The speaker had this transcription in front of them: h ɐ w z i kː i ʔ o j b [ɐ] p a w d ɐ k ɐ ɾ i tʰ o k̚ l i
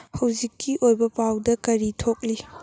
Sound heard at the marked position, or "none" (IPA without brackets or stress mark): ɐ